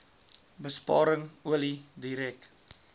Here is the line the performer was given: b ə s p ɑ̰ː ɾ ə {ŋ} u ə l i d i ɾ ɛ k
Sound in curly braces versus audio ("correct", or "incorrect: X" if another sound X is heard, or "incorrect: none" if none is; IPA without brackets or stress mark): correct